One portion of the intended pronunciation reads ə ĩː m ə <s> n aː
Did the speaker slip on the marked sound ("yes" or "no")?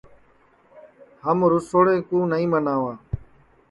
yes